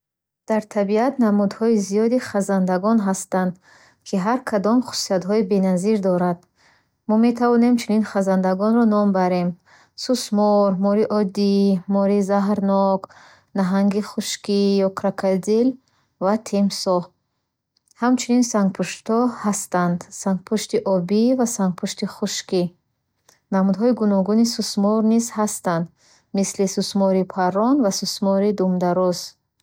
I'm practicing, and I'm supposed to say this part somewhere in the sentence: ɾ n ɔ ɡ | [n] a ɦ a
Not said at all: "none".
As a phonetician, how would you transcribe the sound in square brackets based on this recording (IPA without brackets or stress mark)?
n